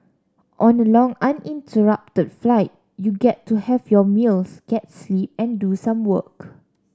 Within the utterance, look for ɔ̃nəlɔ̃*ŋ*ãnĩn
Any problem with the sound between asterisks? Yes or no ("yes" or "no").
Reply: no